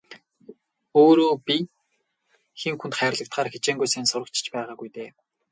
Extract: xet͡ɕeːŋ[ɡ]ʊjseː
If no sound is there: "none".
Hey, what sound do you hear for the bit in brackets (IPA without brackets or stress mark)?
ɡ